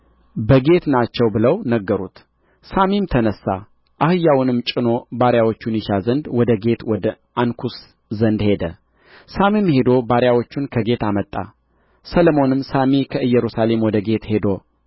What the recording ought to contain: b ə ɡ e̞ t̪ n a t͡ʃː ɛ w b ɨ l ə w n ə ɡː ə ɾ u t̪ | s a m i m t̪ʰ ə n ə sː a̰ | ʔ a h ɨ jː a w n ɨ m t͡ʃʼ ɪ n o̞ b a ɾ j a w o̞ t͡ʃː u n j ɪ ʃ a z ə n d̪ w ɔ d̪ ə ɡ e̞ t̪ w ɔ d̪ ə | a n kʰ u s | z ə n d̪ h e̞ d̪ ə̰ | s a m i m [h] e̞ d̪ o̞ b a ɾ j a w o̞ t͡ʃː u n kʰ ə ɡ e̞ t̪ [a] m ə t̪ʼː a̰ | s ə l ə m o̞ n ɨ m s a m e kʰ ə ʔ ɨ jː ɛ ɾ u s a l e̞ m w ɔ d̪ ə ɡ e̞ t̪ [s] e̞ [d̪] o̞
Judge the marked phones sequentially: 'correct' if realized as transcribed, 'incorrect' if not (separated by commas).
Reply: correct, correct, incorrect, correct